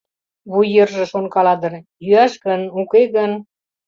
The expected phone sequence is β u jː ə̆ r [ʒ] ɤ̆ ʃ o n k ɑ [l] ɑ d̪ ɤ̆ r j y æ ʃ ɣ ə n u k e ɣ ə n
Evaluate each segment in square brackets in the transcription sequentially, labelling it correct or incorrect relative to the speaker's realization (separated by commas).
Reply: correct, correct